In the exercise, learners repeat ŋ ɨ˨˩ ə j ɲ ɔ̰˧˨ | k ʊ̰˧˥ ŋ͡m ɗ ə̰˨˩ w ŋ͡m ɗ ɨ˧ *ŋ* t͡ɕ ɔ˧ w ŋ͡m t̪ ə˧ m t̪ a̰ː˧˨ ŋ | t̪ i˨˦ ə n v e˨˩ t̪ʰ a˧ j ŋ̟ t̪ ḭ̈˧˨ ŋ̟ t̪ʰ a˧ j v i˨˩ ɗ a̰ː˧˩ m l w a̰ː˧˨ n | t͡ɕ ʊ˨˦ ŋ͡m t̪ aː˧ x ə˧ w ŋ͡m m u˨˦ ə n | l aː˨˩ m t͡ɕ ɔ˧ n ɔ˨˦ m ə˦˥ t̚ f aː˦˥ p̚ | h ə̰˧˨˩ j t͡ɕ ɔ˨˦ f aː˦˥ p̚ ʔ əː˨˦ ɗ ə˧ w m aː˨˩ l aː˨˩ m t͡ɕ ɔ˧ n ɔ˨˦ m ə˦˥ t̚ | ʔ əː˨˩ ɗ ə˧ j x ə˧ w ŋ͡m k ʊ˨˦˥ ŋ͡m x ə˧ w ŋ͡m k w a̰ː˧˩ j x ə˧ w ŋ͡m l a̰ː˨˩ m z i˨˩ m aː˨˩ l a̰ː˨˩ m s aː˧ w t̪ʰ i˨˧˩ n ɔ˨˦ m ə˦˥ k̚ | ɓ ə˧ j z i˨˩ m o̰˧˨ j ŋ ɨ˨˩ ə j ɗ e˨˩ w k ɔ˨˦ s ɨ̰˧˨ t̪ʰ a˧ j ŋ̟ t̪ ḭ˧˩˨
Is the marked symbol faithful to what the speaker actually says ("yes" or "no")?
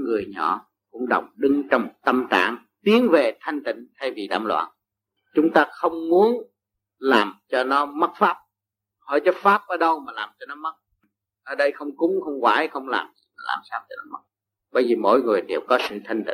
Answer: yes